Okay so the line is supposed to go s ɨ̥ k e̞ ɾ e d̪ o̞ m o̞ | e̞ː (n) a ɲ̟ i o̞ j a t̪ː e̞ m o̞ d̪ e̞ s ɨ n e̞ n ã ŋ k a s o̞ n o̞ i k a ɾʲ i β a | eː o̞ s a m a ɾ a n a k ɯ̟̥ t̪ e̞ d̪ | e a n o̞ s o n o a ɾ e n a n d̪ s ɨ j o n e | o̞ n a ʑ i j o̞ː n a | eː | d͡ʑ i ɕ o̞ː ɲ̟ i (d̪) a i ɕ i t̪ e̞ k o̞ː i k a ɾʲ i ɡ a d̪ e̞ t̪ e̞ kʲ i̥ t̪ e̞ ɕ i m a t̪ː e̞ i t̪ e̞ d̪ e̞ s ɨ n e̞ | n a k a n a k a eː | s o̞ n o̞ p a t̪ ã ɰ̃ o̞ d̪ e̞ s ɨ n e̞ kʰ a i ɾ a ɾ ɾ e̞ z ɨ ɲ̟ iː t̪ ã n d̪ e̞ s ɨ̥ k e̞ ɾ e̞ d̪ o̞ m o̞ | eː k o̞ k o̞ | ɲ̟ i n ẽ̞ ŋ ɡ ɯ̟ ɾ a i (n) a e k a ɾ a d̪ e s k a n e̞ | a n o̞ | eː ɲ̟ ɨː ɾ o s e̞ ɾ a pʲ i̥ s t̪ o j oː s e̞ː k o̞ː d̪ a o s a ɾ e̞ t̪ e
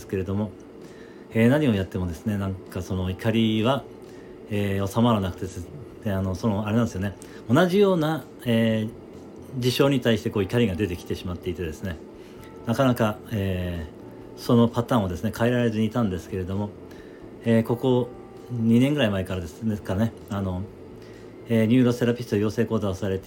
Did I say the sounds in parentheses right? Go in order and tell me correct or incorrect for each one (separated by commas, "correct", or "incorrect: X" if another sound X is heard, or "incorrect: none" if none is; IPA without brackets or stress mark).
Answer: correct, incorrect: t̪, incorrect: m